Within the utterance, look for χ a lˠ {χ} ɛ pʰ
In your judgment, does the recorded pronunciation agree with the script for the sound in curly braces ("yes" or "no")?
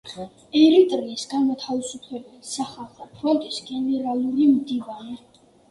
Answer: yes